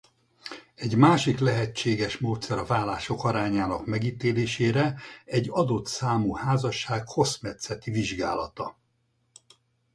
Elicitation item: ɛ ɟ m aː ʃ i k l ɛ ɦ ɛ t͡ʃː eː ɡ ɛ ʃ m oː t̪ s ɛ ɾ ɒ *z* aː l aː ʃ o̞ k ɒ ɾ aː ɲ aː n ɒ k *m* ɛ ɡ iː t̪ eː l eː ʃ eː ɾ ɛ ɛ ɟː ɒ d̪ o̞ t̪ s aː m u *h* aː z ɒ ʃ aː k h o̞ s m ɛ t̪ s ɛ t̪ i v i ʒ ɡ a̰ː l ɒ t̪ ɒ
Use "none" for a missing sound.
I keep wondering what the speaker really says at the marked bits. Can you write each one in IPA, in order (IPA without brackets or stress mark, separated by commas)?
v, m, h